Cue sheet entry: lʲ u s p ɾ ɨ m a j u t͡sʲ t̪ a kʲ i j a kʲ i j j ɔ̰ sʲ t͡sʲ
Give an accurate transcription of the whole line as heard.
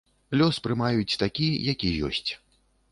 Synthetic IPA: lʲ ɔ s p ɾ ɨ m a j u t͡sʲ t̪ a kʲ i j a kʲ i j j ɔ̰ sʲ t͡sʲ